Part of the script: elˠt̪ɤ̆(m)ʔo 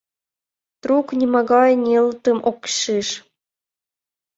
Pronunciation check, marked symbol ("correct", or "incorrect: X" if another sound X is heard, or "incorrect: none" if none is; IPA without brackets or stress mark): correct